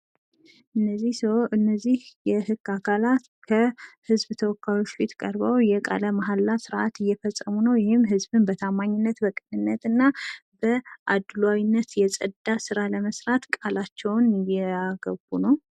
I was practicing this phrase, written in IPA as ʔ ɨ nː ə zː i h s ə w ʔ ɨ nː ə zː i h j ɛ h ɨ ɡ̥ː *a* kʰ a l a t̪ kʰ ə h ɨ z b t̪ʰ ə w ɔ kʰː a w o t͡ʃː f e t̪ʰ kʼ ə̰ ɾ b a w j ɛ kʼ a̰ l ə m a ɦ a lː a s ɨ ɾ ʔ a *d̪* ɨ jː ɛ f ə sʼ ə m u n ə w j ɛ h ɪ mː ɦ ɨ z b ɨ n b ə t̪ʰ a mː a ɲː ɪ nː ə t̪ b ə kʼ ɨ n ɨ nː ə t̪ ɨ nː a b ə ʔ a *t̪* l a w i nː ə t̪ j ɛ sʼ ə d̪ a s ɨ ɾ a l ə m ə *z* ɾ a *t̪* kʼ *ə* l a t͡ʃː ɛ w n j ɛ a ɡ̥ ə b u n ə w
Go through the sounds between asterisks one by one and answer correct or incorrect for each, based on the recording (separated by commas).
correct, incorrect, incorrect, incorrect, correct, incorrect